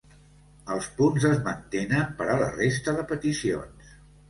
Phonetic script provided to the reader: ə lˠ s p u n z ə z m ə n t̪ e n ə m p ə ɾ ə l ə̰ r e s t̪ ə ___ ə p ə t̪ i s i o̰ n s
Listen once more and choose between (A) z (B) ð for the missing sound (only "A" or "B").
B